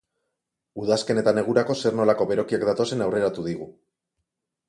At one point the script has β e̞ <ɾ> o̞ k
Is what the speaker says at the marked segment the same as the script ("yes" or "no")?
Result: yes